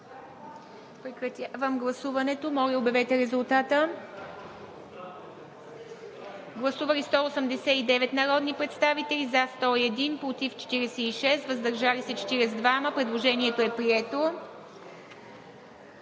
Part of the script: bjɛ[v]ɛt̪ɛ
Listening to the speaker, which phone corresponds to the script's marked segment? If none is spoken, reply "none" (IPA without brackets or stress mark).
v